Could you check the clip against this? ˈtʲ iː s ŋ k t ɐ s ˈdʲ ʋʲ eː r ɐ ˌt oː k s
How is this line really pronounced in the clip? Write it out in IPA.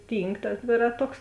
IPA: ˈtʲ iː ŋ k t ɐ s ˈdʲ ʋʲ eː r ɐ ˌt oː k s

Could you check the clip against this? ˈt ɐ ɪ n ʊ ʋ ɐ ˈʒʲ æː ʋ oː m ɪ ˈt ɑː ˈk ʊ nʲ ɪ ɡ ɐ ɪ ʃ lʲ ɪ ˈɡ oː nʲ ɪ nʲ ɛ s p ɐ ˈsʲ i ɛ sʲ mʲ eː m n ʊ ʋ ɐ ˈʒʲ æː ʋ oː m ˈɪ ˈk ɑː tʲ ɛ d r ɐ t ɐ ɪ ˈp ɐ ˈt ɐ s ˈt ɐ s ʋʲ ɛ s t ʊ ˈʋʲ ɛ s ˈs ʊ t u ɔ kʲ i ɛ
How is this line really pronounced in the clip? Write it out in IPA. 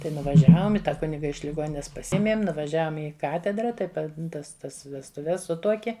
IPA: ˈt ɐ ɪ n ʊ ʋ ɐ ˈʒʲ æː ʋ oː m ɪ ˈt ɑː ˈk ʊ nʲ ɪ ɡ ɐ ɪ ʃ lʲ ɪ ˈɡ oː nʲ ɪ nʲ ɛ s p ɐ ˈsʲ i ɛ mʲ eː m n ʊ ʋ ɐ ˈʒʲ æː ʋ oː m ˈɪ ˈk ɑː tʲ ɛ d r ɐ t ɐ ɪ ˈp ɐ ˈt ɐ s ˈt ɐ s ʋʲ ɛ s t ʊ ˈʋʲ ɛ s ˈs ʊ t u ɔ kʲ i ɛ

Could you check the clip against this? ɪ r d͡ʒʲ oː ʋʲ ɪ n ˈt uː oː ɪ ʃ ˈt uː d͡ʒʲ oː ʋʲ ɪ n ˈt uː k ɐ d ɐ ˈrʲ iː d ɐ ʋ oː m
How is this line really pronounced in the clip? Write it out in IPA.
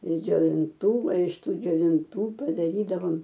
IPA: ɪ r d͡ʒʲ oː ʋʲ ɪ n ˈt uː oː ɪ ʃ ˈt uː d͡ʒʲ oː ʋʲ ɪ n ˈt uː p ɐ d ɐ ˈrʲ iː d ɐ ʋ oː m

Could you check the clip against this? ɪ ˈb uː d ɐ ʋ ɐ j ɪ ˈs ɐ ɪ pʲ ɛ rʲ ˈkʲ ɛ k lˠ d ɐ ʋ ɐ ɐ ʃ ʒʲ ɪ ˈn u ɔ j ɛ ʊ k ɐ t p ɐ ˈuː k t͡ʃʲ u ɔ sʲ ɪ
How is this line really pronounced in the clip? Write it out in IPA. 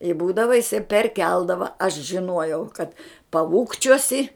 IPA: ɪ ˈb uː d ɐ ʋ ɐ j ɪ ˈs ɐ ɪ pʲ ɛ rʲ ˈkʲ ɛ lˠ d ɐ ʋ ɐ ɐ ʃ ʒʲ ɪ ˈn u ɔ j ɛ ʊ k ɐ t p ɐ ˈuː k t͡ʃʲ u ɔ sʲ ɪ

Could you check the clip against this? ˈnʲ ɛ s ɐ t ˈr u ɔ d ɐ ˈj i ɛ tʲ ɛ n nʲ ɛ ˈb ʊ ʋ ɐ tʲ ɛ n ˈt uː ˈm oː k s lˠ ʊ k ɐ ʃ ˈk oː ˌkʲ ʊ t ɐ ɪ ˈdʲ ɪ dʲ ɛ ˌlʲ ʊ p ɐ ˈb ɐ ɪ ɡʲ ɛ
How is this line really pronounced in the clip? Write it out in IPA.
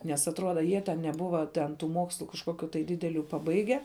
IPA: ˈnʲ ɛ s ɐ t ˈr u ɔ d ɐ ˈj i ɛ tʲ ɛ n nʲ ɛ ˈb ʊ ʋ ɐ tʲ ɛ n ˈt uː ˈm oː k s lˠ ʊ k ɐ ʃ ˈk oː ˌkʲ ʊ t ɐ ɪ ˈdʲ ɪ dʲ ɛ ˌlʲ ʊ p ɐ ˈb ɐ ɪ ɡʲ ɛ

